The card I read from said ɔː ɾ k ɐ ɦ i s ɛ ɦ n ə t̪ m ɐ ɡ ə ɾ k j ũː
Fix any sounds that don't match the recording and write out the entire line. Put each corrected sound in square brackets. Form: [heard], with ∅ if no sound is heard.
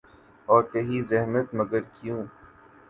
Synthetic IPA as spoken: ɔː ɾ k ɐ ɦ i [z] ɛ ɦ [m] ə t̪ m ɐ ɡ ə ɾ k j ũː

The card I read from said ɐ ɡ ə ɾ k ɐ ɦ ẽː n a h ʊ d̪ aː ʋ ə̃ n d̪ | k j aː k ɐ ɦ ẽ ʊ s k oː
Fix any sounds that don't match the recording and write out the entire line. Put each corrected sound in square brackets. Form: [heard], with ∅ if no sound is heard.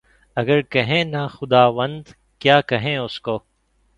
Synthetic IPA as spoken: ɐ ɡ ə ɾ k ɐ ɦ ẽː n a [x] ʊ d̪ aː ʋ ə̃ n d̪ | k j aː k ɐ ɦ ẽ ʊ s k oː

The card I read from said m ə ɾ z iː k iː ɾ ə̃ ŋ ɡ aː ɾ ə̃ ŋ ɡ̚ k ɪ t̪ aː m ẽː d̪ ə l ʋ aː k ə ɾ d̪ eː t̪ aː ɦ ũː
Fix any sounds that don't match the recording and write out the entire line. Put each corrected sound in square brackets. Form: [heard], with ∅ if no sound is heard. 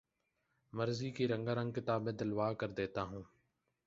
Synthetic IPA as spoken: m ə ɾ z iː k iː ɾ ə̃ ŋ ɡ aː ɾ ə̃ ŋ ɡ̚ k ɪ t̪ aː [b] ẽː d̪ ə l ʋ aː k ə ɾ d̪ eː t̪ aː ɦ ũː

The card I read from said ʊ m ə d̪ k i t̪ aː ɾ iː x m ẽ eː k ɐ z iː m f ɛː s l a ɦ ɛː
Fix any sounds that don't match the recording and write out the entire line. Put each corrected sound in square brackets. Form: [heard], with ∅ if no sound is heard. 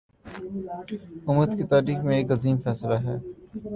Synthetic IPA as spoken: ʊ m ə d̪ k i t̪ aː ɾ iː x m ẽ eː k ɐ z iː m f ɛː s l a ɦ ɛː

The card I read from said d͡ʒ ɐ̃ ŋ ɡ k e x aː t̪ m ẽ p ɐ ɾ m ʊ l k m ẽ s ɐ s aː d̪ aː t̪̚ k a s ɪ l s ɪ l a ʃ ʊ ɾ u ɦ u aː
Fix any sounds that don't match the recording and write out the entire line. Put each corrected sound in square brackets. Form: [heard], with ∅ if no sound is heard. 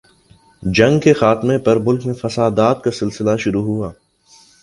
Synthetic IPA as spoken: d͡ʒ ɐ̃ ŋ ɡ k e x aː t̪ m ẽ p ɐ ɾ m ʊ l k m ẽ [f] ɐ s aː d̪ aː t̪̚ k a s ɪ l s ɪ l a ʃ ʊ ɾ u ɦ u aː

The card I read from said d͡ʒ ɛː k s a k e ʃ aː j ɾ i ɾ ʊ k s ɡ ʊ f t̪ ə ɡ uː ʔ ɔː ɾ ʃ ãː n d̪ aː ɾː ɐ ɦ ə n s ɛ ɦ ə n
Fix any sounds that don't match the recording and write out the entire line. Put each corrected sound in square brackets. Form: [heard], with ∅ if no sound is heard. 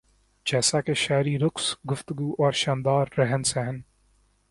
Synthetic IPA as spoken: d͡ʒ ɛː [∅] s a k e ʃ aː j ɾ i ɾ ʊ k s ɡ ʊ f t̪ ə ɡ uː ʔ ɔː ɾ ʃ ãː n d̪ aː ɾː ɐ ɦ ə n s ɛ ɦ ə n

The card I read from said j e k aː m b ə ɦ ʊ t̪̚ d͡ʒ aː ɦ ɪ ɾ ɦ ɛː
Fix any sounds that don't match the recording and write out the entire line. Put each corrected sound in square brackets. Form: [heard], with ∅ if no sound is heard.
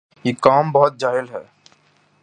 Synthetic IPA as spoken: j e k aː m b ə ɦ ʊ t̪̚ d͡ʒ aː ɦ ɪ [l] ɦ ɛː

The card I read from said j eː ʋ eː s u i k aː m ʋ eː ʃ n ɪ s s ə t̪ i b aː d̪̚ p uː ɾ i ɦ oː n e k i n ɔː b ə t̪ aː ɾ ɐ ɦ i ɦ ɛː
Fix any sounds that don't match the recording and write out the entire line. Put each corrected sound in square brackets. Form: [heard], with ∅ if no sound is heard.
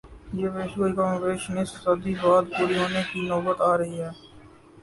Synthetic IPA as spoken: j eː ʋ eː [ʃ] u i k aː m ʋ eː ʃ n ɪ s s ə [d̪] i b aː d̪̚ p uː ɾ i ɦ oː n e k i n ɔː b ə t̪ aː ɾ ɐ ɦ i ɦ ɛː

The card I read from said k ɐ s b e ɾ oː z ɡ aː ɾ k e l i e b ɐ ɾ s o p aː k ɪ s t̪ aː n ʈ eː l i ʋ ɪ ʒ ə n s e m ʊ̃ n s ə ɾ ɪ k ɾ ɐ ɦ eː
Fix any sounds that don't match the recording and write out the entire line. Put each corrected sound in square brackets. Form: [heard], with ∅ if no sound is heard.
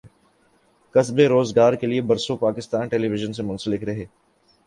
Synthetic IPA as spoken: k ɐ s b e ɾ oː z ɡ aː ɾ k e l i e b ɐ ɾ s o p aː k ɪ s t̪ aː n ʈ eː l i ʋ ɪ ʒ ə n s e m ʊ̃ n s ə [l] ɪ k ɾ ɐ ɦ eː

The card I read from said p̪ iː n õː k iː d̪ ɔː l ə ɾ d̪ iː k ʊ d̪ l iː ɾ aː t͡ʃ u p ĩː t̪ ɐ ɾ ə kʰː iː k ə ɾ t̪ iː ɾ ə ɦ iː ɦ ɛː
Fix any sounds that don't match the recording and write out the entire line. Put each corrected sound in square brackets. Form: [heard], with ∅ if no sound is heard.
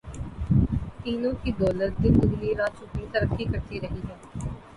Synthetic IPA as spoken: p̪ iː n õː k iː d̪ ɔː l ə ɾ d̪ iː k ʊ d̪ l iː ɾ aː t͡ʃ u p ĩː t̪ [ə] ɾ ə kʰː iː k ə ɾ t̪ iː ɾ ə ɦ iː ɦ ɛː

